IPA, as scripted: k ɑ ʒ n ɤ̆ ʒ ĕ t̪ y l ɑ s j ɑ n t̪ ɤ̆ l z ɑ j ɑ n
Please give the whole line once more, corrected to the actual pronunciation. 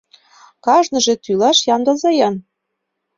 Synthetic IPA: k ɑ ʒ n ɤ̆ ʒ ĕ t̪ y l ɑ ʃ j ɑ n d̪ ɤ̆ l z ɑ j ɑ n